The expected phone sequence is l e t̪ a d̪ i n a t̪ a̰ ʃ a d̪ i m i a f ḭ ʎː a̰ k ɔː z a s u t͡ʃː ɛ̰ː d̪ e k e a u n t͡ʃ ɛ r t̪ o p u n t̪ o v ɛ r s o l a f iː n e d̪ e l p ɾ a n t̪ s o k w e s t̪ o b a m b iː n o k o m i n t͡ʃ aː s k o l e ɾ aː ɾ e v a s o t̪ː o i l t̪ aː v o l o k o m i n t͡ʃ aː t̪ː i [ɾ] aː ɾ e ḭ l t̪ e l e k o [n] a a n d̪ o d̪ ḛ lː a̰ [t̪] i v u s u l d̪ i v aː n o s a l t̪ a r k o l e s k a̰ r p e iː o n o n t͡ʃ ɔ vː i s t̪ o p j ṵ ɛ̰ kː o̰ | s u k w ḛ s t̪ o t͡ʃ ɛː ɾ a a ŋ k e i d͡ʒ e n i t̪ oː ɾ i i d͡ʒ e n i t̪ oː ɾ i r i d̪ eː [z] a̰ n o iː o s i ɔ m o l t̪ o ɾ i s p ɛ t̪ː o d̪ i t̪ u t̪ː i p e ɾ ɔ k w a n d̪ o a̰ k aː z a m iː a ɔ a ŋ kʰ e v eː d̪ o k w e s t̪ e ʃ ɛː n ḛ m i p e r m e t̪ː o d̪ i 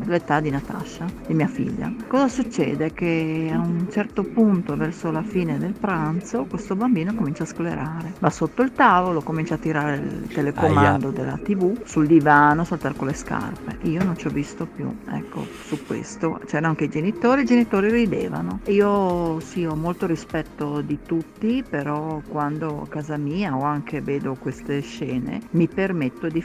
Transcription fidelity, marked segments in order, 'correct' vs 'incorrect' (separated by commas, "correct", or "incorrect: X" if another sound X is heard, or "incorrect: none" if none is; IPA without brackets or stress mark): correct, incorrect: m, correct, incorrect: v